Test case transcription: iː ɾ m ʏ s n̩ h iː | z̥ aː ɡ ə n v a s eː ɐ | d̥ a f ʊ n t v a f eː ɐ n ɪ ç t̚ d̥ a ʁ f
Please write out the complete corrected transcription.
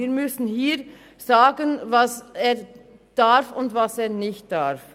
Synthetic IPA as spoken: iː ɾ m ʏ s n̩ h iː | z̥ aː ɡ ə n v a s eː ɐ | d̥ a f ʊ n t v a s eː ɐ n ɪ ç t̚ d̥ a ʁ f